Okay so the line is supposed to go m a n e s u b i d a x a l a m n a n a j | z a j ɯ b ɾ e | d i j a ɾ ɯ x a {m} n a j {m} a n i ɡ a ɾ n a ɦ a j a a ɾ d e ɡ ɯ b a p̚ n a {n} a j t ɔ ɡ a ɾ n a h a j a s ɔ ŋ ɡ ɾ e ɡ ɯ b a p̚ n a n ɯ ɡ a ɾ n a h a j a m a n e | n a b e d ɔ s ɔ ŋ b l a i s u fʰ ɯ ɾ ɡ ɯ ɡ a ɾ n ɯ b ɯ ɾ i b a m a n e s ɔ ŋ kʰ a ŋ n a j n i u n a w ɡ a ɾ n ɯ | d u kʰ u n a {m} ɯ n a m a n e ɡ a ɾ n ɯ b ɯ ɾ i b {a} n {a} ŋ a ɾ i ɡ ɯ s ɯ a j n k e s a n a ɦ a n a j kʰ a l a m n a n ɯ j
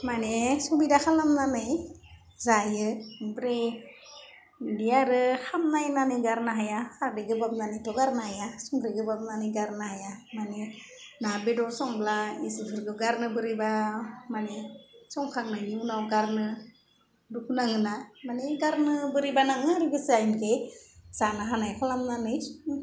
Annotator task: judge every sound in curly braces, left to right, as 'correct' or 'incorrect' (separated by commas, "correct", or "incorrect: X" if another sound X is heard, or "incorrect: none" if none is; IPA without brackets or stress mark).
correct, incorrect: n, correct, incorrect: ŋ, correct, correct